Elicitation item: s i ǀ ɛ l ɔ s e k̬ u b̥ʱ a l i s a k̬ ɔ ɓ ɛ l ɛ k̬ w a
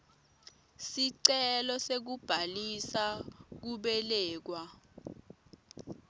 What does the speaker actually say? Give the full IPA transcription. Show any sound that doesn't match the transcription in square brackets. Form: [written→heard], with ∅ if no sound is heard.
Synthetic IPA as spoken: s i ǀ ɛ l ɔ s e k̬ u b̥ʱ a l i s a k̬ [ɔ→u] ɓ ɛ l [ɛ→ɛː] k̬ w a